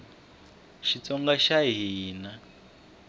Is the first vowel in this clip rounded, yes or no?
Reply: no